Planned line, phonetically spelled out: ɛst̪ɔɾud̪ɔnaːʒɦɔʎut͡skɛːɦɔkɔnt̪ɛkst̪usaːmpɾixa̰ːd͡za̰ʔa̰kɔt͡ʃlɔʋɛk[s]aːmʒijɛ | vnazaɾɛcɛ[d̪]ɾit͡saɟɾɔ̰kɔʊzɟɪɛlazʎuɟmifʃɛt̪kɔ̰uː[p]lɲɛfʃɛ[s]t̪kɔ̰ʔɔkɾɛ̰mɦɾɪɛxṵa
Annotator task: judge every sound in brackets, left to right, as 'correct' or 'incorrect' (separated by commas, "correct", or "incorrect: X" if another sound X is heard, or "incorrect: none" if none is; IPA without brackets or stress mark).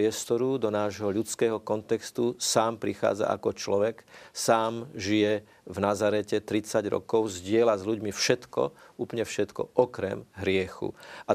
correct, incorrect: t̪, correct, incorrect: none